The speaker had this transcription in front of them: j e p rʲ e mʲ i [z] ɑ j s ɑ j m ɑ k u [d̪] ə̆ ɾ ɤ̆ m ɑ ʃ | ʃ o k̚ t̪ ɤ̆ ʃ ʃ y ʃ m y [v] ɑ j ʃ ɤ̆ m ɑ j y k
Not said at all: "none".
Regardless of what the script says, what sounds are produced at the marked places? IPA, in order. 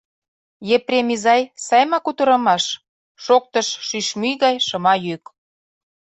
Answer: z, t̪, ɣ

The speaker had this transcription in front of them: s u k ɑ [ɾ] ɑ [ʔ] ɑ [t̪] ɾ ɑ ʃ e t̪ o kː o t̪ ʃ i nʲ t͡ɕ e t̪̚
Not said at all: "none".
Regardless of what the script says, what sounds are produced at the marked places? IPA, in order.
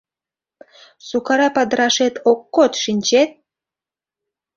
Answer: ɾ, p, d̪

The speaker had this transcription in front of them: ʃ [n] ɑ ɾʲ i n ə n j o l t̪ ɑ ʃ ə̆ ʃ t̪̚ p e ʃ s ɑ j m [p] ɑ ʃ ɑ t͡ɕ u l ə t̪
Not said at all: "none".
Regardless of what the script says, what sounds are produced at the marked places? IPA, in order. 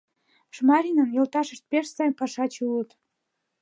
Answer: m, p

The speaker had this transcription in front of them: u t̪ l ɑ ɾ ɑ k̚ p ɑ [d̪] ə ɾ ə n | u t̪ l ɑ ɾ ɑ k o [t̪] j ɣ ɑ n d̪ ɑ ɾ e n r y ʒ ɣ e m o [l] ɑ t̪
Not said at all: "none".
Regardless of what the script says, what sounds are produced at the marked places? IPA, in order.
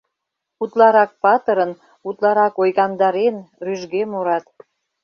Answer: t̪, none, ɾ

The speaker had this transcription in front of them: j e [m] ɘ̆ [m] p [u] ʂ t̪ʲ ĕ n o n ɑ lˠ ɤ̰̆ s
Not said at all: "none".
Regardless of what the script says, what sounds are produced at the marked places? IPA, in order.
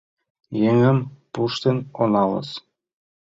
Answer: ŋ, m, u

